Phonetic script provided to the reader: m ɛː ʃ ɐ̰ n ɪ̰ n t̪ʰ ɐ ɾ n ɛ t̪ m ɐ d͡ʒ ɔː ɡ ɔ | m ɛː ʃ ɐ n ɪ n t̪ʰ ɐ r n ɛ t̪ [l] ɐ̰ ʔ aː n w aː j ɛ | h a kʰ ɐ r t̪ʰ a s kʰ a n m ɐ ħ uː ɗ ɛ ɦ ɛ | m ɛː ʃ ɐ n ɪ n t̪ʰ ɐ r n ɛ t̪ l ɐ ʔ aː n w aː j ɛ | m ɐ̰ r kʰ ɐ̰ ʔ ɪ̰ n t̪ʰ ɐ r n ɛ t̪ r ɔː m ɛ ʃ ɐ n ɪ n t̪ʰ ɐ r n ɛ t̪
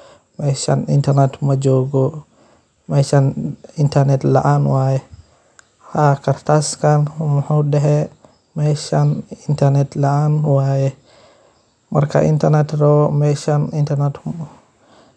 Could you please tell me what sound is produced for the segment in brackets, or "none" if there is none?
l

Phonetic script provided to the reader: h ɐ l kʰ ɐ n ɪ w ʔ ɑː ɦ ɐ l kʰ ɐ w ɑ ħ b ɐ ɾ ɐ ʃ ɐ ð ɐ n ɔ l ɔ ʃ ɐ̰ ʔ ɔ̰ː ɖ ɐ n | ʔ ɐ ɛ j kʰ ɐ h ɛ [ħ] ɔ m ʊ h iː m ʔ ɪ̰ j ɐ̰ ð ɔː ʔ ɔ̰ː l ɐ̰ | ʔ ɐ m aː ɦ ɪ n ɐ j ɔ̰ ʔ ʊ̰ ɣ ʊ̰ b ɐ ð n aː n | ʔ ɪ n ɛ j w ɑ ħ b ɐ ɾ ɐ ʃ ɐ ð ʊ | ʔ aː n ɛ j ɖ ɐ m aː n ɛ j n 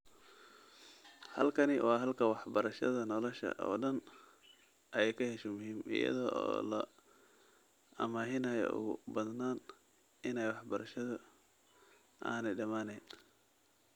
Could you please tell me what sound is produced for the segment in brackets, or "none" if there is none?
ʃ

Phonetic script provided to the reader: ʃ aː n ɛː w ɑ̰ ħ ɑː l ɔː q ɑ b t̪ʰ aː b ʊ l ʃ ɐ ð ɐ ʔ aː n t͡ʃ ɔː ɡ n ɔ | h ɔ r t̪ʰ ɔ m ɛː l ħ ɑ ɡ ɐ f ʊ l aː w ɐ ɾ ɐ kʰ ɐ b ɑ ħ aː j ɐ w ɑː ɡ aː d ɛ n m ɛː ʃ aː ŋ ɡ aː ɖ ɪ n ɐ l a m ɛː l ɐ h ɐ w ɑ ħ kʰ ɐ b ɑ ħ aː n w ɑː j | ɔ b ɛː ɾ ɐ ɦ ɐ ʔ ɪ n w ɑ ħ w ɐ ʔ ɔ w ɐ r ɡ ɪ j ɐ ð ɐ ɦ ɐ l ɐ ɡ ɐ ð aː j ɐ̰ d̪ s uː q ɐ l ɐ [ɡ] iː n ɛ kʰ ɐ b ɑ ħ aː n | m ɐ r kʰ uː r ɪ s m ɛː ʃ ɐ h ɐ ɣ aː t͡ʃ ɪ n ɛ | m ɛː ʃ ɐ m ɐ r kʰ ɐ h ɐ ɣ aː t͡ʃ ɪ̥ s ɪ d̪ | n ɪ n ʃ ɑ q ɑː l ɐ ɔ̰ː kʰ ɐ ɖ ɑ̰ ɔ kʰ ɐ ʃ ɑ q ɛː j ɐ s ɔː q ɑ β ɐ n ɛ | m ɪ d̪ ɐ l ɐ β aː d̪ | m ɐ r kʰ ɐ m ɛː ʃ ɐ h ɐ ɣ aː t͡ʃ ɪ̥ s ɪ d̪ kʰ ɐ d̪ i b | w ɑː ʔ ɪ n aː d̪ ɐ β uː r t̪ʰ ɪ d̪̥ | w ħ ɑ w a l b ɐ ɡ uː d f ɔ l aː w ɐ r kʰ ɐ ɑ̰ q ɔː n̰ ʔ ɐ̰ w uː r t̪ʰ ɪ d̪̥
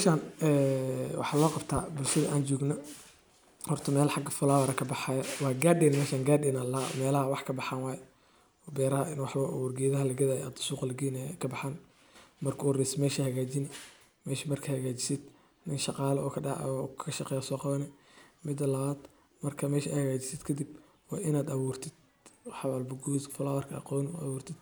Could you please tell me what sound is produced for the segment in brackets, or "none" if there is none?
ɡ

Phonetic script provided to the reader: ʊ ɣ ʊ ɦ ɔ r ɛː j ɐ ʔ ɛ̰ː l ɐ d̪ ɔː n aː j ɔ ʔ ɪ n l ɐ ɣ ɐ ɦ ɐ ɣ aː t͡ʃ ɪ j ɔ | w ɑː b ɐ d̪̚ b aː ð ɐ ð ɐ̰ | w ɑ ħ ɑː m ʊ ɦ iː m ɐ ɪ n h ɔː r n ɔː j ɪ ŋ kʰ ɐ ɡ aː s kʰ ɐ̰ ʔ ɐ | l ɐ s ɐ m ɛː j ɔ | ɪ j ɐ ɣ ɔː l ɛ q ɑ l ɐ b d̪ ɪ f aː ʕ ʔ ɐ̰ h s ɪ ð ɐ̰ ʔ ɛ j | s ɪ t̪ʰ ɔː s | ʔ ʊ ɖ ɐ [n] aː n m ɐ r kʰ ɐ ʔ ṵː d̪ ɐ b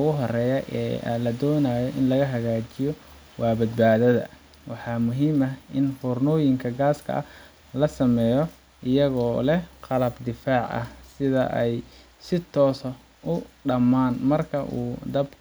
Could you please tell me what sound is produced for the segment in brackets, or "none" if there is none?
m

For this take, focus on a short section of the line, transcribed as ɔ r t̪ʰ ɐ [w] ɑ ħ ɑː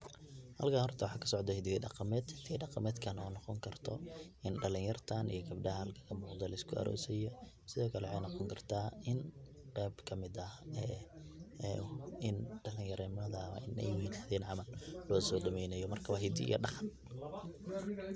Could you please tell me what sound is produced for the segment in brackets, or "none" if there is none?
w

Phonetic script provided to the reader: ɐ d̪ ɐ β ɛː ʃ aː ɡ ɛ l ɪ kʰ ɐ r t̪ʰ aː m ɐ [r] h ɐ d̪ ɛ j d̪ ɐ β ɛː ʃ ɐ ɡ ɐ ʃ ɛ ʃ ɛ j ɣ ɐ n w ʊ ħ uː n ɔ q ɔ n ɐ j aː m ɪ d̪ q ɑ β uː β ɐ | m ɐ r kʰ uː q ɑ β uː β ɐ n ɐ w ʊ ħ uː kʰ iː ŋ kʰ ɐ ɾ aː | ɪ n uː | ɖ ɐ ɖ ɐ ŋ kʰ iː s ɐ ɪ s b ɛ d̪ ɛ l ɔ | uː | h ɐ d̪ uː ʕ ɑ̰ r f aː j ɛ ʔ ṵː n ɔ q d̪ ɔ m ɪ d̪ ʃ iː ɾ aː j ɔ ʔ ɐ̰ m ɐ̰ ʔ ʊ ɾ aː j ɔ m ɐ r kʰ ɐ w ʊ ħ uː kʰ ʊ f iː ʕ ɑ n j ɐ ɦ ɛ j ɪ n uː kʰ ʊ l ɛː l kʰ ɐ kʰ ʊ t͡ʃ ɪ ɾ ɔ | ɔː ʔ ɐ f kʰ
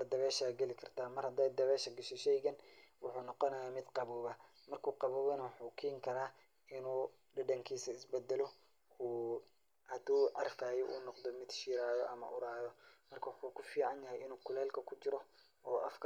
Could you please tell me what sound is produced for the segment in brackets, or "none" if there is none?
r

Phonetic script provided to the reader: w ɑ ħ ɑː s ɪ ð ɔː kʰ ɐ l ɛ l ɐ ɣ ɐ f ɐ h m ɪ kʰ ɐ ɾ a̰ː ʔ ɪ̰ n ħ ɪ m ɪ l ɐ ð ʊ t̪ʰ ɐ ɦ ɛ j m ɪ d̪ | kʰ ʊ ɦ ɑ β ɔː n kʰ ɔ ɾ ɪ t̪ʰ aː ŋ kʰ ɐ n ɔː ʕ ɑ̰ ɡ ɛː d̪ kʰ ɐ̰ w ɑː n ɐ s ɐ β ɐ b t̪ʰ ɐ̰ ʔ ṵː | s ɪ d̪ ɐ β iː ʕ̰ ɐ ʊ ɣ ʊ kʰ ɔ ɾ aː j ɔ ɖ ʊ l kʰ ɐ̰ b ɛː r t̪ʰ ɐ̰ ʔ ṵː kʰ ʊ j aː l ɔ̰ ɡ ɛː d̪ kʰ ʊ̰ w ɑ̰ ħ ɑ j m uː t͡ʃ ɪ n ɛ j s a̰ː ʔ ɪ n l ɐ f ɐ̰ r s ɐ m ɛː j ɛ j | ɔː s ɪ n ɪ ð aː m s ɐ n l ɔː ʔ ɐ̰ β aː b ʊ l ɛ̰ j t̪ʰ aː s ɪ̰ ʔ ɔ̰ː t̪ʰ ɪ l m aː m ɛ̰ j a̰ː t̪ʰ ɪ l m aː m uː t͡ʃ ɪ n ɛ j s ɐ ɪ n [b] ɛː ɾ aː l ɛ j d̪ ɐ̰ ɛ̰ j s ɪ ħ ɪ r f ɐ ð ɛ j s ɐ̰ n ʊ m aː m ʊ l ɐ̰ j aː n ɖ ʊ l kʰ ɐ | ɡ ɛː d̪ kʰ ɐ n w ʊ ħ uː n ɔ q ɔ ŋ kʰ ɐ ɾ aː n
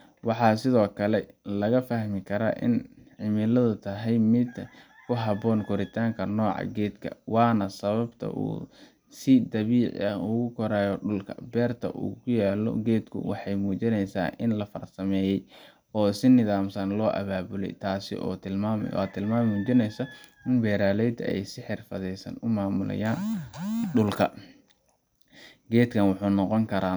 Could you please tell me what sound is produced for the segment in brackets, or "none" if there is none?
b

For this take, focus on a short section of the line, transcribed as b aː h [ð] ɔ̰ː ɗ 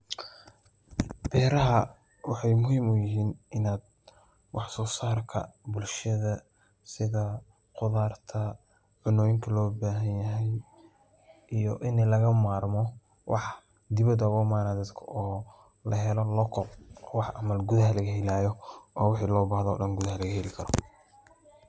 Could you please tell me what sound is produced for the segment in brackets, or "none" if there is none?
ð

